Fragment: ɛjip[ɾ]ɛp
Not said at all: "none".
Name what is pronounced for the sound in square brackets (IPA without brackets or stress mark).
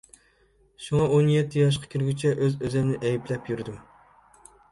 l